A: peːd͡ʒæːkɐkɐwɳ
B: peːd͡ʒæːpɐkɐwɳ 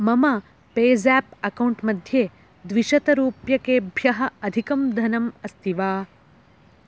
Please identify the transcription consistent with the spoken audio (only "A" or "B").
B